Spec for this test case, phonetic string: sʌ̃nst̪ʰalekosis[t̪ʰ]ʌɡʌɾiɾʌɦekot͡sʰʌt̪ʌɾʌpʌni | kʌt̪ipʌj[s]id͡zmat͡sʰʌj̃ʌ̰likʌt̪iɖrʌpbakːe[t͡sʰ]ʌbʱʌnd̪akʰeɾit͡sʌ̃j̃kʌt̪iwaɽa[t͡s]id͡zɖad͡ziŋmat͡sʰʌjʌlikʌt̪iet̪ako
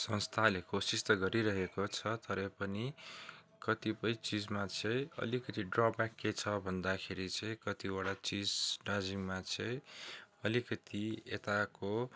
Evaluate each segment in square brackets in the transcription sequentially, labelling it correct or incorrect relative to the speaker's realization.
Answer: incorrect: t̪, incorrect: t͡s, correct, correct

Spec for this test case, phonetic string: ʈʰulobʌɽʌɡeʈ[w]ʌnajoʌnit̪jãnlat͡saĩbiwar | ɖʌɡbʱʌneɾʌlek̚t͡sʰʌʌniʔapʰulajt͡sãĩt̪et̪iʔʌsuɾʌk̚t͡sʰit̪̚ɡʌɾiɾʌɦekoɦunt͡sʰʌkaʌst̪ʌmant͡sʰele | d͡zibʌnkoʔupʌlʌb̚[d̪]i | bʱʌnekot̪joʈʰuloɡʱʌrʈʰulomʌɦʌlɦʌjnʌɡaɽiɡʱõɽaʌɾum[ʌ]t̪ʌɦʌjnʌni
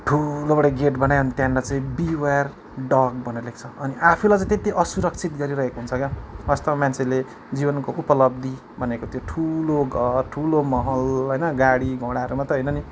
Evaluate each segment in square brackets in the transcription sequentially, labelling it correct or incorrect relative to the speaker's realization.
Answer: incorrect: b, correct, incorrect: a

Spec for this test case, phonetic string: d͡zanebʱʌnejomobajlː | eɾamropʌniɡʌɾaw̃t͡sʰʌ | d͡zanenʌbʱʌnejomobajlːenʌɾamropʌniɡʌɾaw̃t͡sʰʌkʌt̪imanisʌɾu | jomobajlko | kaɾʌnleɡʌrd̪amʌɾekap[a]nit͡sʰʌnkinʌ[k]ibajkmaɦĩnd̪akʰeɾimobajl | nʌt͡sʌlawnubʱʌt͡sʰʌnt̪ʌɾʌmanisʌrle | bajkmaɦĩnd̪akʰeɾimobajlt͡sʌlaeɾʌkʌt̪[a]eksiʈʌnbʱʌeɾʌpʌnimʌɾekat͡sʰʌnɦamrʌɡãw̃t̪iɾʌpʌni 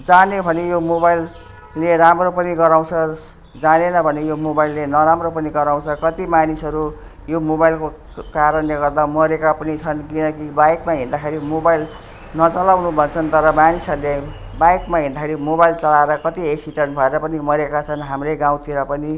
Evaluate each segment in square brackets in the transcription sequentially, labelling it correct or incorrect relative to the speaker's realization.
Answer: incorrect: ʌ, correct, incorrect: i

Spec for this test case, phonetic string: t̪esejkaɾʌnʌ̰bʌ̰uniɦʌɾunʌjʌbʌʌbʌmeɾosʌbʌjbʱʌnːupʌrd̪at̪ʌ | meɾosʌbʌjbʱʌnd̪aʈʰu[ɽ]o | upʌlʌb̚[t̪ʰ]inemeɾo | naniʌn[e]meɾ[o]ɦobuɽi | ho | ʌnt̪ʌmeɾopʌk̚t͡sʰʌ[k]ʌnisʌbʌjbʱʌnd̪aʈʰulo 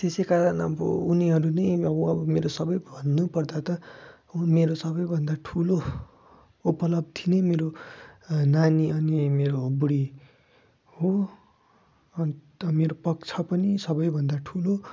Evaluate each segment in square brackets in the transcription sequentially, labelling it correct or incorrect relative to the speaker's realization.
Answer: incorrect: l, correct, incorrect: i, correct, incorrect: p

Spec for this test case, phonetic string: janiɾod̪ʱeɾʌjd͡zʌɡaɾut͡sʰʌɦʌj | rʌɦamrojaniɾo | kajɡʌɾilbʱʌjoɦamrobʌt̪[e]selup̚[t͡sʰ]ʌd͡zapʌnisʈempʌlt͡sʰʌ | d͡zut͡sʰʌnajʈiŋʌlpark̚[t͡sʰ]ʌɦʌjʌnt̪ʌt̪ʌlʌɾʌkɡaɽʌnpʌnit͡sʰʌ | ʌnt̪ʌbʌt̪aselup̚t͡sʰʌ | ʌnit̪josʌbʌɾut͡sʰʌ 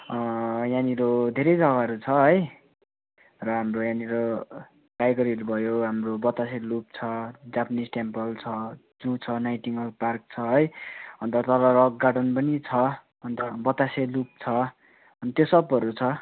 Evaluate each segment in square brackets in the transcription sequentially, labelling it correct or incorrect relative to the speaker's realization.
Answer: incorrect: a, correct, correct

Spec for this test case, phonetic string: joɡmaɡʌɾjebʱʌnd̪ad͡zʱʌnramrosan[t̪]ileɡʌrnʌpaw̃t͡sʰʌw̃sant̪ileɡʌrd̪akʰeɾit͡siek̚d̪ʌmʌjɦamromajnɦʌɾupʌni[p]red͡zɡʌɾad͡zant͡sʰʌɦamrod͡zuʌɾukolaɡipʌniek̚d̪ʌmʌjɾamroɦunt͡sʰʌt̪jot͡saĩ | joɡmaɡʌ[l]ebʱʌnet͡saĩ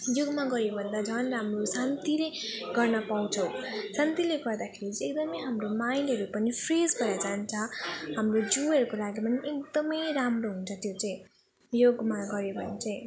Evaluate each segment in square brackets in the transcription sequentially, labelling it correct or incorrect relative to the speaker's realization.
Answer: correct, incorrect: pʰ, incorrect: ɾ

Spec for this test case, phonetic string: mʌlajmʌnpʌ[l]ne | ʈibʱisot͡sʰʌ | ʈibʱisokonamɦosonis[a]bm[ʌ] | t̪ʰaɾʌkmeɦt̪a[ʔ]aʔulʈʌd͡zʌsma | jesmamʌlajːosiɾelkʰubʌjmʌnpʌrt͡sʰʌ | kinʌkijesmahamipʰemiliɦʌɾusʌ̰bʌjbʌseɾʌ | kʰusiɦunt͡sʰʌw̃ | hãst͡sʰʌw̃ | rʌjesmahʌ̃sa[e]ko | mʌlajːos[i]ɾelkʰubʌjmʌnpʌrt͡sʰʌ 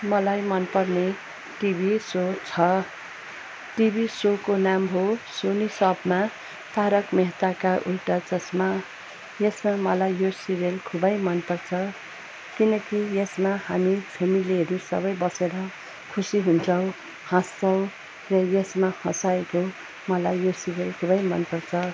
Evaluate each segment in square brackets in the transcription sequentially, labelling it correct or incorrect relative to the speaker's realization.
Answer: incorrect: r, incorrect: ʌ, incorrect: a, incorrect: k, correct, correct

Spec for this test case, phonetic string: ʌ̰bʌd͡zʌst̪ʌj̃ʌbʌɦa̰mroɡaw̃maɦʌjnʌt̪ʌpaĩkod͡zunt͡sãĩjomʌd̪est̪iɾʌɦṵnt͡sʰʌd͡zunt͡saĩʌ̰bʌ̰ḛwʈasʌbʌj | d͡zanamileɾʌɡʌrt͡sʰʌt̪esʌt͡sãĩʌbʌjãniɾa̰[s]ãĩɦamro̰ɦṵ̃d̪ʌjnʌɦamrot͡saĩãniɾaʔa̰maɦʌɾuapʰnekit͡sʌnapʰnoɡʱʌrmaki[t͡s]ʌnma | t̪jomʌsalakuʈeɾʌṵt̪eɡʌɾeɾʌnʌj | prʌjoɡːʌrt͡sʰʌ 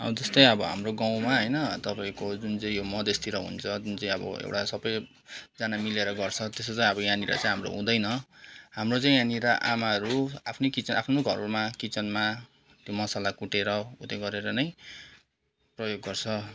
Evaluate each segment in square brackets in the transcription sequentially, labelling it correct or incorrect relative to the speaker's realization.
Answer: incorrect: t͡s, correct

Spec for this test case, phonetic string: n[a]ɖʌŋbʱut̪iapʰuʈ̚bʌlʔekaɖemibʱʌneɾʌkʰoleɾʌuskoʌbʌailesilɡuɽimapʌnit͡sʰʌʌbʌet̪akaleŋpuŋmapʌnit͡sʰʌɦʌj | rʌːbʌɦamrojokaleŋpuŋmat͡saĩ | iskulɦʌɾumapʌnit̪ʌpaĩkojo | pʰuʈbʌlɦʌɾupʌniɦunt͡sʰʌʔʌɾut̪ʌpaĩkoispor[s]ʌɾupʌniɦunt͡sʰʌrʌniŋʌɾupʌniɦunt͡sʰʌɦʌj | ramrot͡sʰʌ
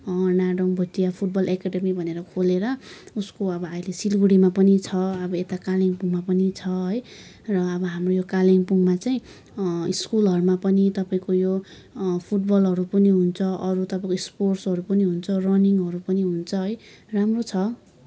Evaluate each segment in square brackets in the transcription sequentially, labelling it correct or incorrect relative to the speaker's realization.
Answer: correct, correct

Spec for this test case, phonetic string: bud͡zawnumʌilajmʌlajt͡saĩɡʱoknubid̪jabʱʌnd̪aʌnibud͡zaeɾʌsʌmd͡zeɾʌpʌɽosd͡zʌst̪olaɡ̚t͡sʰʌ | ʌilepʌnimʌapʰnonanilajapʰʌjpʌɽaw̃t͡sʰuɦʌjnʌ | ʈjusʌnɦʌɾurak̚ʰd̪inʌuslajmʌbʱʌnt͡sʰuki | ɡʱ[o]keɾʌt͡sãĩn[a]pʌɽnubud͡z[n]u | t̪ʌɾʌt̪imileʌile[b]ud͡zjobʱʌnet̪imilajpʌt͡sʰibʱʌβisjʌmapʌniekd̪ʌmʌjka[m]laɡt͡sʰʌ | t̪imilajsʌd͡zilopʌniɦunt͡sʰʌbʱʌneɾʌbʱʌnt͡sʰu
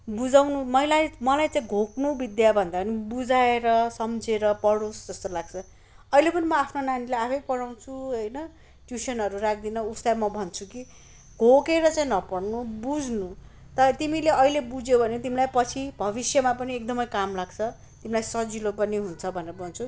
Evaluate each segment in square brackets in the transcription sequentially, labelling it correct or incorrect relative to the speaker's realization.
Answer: correct, incorrect: ʌ, correct, correct, correct

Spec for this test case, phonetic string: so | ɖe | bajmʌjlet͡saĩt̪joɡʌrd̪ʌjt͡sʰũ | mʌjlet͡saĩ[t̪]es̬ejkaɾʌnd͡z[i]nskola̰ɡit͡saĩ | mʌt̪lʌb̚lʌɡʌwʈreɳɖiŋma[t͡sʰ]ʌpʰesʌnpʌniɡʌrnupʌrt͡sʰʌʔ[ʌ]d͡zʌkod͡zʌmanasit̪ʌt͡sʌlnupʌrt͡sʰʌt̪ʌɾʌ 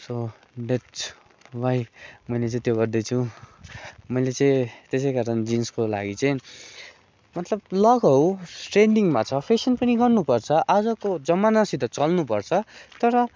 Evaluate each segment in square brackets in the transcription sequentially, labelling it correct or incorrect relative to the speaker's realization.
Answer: correct, correct, correct, incorrect: a

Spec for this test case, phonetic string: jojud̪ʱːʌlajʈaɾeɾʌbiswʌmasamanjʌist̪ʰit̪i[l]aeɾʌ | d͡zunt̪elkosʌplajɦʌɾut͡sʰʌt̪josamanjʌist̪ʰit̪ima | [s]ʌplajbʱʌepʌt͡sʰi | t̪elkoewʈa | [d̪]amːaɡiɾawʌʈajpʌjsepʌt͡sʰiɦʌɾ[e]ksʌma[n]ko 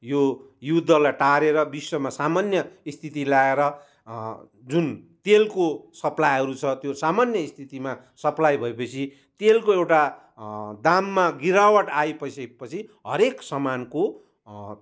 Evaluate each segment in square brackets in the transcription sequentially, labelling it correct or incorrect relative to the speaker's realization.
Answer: correct, correct, correct, correct, correct

